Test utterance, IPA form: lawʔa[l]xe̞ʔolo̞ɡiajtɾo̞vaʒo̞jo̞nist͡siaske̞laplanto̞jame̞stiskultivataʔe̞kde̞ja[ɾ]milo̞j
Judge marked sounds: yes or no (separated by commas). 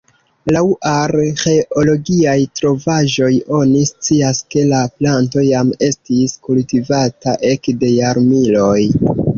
no, yes